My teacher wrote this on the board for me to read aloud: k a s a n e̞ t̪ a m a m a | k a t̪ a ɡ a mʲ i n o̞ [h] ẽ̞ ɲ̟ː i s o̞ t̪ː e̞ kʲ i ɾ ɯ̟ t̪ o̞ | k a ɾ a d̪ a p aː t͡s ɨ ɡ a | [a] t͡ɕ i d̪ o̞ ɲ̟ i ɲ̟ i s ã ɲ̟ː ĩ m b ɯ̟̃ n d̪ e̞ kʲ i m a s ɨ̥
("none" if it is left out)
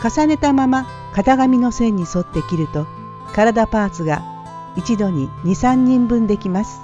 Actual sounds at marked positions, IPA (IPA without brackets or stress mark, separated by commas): s, i